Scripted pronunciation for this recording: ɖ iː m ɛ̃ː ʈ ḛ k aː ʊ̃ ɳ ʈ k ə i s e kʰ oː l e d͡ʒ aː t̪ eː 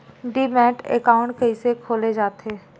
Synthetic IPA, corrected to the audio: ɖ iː m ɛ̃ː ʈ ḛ k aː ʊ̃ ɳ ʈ k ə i s e kʰ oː l e d͡ʒ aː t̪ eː